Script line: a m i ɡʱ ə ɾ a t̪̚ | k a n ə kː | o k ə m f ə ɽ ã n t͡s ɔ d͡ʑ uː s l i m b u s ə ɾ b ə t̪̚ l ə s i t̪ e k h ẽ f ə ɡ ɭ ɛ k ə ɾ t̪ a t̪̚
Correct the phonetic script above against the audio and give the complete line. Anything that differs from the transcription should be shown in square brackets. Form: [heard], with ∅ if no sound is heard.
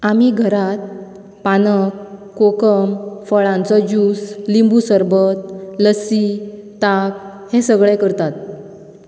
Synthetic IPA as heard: a m i ɡʱ ə ɾ a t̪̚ | [p] a n ə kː | o k ə m f ə [ɭ] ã n t͡s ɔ d͡ʑ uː s l i m b u s ə ɾ b ə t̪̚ l ə s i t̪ [a] k h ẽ [s] ə ɡ ɭ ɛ k ə ɾ t̪ a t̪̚